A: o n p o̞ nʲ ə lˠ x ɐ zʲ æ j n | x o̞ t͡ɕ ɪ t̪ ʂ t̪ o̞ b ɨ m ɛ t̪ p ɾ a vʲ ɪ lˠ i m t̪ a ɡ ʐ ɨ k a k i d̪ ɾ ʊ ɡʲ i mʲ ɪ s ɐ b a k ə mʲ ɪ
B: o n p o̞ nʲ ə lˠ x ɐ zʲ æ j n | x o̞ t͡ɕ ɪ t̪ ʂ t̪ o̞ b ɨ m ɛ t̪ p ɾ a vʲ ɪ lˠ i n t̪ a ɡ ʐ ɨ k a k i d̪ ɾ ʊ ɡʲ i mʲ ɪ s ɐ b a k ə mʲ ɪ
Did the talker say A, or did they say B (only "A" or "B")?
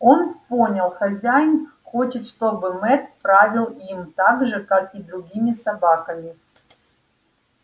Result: A